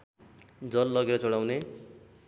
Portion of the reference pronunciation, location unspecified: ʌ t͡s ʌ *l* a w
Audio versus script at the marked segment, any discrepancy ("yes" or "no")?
yes